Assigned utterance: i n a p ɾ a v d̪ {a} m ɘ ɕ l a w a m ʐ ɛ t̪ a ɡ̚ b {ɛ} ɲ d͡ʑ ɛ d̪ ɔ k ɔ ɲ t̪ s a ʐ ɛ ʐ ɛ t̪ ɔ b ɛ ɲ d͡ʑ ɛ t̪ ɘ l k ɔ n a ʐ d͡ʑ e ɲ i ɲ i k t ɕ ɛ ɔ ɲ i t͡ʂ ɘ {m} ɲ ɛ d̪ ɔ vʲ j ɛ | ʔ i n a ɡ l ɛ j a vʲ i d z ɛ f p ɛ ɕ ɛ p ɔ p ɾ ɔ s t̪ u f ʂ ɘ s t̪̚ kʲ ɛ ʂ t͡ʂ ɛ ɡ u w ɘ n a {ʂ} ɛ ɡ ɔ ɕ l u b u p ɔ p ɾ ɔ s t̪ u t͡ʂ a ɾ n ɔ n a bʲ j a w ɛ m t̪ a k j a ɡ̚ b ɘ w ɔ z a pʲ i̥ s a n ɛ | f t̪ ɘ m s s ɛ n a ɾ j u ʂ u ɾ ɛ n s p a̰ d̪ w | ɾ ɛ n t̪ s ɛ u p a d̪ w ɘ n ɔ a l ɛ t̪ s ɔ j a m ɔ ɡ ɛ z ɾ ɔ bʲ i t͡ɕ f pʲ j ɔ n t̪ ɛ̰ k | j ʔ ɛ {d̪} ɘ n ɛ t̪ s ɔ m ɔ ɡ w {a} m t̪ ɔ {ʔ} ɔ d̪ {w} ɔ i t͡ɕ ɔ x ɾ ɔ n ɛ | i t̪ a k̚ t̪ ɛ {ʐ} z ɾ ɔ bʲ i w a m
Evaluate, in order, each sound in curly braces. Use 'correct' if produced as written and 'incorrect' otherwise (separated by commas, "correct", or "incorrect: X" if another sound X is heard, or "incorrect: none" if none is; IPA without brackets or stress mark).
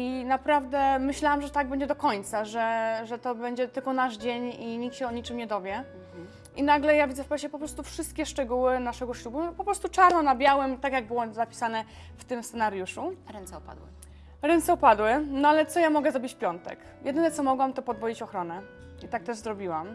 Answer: incorrect: ɛ, correct, correct, correct, correct, correct, incorrect: p, incorrect: v, correct